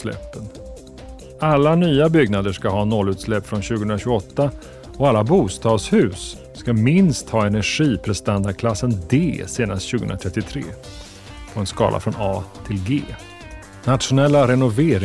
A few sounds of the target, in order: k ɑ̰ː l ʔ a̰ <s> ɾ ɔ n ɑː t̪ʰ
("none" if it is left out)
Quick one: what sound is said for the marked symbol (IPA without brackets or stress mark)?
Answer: f